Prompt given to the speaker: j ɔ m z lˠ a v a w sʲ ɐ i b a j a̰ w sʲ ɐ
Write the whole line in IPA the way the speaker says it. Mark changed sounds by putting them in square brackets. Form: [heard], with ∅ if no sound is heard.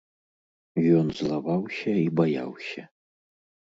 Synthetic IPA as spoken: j ɔ [n] z lˠ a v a w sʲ ɐ i b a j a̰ w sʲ ɐ

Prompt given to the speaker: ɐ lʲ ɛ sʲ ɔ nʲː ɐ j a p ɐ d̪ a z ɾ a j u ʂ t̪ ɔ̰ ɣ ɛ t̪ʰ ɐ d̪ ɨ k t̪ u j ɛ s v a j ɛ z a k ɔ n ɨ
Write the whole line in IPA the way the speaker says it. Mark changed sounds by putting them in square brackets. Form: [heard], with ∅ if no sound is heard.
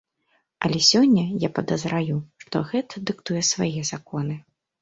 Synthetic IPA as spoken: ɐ lʲ ɛ sʲ ɔ nʲː ɐ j a p ɐ d̪ [ɐ] z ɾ a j u ʂ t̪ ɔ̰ ɣ ɛ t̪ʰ ɐ d̪ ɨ k t̪ u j ɛ s v a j ɛ z a k ɔ n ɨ

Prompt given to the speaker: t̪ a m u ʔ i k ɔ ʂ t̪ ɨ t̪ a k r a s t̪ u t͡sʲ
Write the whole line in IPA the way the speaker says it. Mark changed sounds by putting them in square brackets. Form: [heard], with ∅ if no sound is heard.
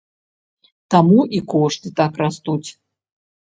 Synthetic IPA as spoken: t̪ a m u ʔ i k ɔ ʂ t̪ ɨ t̪ a k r a s t̪ u t͡sʲ

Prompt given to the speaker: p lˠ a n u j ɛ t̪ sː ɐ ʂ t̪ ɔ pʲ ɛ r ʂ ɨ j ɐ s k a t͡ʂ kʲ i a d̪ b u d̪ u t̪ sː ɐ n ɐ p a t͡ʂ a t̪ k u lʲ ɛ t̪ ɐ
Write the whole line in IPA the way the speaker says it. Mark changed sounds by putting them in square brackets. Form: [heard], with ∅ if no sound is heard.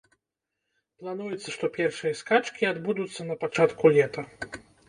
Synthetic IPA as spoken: p lˠ a n u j ɛ t̪ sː ɐ ʂ t̪ ɔ pʲ ɛ r ʂ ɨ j ɐ s k a t͡ʂ kʲ i a d̪ b u d̪ u t̪ sː ɐ n ɐ p a t͡ʂ a t̪ k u lʲ ɛ t̪ ɐ

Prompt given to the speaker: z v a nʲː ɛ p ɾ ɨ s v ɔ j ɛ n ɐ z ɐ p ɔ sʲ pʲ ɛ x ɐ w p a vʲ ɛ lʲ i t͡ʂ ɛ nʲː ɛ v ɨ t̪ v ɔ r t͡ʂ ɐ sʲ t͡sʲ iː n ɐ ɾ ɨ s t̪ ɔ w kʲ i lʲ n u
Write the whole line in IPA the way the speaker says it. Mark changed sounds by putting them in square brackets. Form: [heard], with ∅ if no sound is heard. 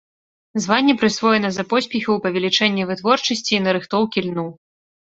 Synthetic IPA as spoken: z v a nʲː ɛ p ɾ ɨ s v ɔ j ɛ n ɐ z ɐ p ɔ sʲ pʲ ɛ x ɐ w p [ɐ] vʲ ɛ lʲ i t͡ʂ ɛ nʲː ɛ v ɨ t̪ v ɔ r t͡ʂ ɐ sʲ t͡sʲ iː n ɐ ɾ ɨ [x] t̪ ɔ w kʲ i lʲ n u

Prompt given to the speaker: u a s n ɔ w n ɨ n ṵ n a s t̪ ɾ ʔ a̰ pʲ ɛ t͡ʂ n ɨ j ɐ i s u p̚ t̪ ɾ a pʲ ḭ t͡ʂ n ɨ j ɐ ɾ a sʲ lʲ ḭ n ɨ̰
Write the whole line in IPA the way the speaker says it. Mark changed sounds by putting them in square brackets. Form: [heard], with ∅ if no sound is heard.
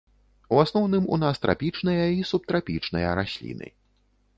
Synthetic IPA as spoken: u a s n ɔ w n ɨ [m] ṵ n a s t̪ ɾ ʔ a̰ pʲ [i] t͡ʂ n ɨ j ɐ i s u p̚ t̪ ɾ a pʲ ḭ t͡ʂ n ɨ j ɐ ɾ a sʲ lʲ ḭ n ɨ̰

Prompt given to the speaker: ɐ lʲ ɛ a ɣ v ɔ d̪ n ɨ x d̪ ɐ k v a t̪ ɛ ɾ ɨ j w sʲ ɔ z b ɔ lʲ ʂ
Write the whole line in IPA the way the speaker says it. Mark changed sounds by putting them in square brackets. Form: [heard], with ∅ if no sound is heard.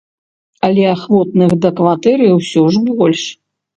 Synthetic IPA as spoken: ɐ lʲ ɛ a [x] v ɔ [t̪] n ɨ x d̪ ɐ k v a t̪ ɛ ɾ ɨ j w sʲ ɔ [ʐ] b ɔ lʲ ʂ

